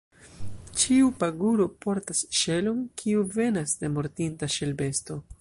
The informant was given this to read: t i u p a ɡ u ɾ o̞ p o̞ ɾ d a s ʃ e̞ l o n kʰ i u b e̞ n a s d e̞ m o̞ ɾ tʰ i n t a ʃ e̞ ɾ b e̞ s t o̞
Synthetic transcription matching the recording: t͡ʃ i u p a ɡ u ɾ o̞ p o̞ ɾ t a s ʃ e̞ l o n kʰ i u v e̞ n a s d e̞ m o̞ ɾ t i n t a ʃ e̞ l b e̞ s t o̞